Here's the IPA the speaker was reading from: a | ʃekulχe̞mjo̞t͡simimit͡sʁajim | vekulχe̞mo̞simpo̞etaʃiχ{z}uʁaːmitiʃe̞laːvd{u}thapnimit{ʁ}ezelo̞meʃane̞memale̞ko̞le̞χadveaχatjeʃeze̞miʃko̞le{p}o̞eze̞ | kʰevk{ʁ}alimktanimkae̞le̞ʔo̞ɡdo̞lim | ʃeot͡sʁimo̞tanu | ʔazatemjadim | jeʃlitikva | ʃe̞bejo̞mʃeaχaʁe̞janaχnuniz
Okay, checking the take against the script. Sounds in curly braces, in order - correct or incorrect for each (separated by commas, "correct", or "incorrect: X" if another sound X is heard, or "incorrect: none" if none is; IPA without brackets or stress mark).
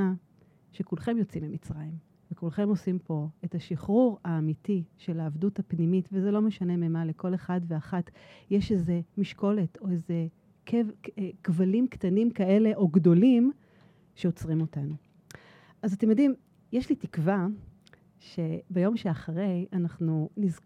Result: incorrect: ʁ, correct, incorrect: v, incorrect: t, incorrect: v